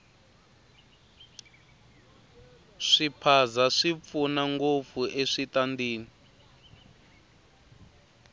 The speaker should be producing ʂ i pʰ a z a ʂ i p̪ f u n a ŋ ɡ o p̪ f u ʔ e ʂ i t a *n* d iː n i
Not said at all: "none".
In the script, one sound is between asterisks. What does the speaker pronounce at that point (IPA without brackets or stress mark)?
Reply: n